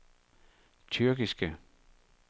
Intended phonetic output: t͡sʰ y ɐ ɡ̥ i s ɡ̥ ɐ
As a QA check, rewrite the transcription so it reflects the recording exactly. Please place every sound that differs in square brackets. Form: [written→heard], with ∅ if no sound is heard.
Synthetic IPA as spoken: t͡sʰ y ɐ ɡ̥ i s ɡ̥ [ɐ→ə]